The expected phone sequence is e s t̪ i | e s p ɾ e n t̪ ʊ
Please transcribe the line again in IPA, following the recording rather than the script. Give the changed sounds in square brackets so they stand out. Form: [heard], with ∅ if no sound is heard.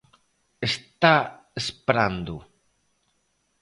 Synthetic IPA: e s t̪ [a] | e s p ɾ [a] n [d̪] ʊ